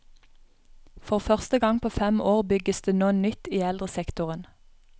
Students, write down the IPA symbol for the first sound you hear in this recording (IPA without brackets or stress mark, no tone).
f